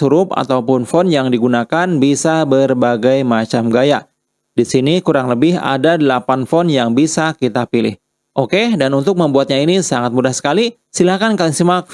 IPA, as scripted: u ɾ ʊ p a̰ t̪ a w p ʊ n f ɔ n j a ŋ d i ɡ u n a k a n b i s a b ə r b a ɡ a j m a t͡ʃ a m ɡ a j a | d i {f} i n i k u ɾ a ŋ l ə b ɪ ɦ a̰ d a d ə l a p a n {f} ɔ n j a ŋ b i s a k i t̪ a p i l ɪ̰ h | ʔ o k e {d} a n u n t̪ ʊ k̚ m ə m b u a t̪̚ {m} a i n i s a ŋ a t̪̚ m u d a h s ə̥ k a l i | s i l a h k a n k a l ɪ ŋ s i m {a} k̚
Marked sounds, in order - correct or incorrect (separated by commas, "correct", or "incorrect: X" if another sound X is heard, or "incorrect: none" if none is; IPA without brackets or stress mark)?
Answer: incorrect: s, correct, correct, incorrect: ɲ, correct